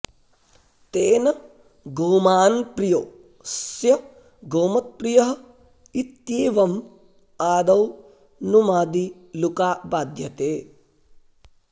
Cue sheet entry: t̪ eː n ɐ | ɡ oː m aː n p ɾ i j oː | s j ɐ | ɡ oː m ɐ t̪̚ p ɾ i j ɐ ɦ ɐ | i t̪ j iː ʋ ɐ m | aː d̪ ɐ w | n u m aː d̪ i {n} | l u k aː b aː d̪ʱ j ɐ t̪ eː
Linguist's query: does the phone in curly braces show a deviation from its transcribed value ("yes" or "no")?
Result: yes